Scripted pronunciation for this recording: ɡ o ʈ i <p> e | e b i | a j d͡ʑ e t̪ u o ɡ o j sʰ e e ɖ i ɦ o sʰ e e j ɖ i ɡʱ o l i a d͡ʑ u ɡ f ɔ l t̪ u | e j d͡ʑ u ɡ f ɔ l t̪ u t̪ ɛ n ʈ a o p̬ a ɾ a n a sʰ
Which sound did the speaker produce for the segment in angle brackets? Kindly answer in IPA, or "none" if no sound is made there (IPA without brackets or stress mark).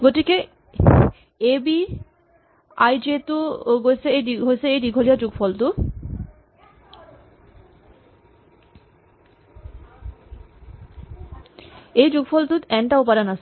k